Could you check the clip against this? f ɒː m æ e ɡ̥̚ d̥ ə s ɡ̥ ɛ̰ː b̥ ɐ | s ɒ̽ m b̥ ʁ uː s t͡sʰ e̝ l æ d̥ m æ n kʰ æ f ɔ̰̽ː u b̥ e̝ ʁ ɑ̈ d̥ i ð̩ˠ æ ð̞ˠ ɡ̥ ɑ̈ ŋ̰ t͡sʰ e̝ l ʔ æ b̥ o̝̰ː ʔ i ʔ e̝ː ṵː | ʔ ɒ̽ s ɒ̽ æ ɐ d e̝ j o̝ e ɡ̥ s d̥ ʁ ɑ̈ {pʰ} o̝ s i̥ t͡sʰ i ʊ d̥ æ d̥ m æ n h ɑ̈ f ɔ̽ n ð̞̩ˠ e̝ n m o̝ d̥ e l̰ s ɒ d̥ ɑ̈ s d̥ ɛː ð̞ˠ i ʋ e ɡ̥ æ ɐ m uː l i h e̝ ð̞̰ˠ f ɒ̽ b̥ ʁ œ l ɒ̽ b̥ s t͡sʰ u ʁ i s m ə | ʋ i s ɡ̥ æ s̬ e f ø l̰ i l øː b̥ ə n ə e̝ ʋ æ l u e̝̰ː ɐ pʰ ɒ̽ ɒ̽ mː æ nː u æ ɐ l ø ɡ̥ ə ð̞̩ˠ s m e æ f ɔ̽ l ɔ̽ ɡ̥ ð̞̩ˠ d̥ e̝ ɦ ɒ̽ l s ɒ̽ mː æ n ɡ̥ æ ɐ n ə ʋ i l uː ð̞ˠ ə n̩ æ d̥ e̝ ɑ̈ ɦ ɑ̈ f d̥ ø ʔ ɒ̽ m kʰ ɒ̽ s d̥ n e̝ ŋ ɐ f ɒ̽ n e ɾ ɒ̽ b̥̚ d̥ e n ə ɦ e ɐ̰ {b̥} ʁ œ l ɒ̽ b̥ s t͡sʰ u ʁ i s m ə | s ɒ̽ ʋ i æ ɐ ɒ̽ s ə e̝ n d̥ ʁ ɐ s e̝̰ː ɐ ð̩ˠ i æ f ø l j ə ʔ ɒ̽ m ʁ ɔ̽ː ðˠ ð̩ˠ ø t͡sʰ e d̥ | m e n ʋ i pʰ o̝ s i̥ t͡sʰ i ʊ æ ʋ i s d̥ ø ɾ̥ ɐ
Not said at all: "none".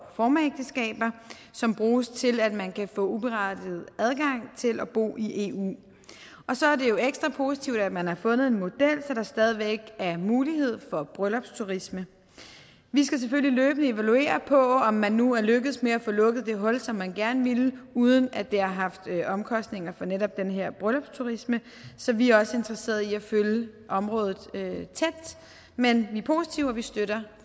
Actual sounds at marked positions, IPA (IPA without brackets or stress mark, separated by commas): pʰ, b̥